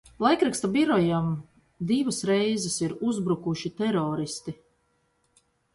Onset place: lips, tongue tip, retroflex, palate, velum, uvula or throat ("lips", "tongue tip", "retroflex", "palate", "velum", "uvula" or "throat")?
tongue tip